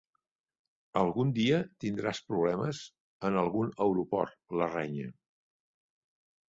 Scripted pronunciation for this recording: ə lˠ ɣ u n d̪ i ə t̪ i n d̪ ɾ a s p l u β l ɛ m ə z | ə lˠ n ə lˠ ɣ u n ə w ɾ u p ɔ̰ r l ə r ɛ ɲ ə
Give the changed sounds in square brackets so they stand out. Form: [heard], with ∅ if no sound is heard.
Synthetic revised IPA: ə lˠ ɣ u n d̪ i ə t̪ i n d̪ ɾ a s p [ɾ] u β l ɛ m ə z | ə [∅] n ə lˠ ɣ u n ə w ɾ u p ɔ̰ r l ə r ɛ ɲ ə